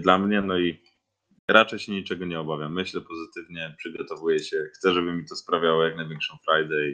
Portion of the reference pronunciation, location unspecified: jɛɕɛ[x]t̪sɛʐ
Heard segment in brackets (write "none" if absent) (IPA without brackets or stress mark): x